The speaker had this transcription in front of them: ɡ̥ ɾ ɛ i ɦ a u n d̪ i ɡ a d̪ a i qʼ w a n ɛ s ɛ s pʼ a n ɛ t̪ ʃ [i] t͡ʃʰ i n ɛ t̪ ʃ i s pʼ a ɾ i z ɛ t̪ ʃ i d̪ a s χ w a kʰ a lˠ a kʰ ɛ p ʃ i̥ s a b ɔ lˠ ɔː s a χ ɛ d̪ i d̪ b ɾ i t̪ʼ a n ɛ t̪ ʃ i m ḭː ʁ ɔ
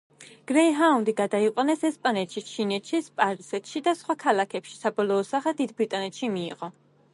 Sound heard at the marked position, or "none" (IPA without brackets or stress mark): i